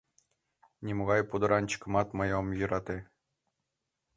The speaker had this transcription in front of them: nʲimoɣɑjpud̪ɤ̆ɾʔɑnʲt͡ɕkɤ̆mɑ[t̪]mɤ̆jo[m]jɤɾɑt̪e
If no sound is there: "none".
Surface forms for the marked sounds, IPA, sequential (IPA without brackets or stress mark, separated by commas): t̪, m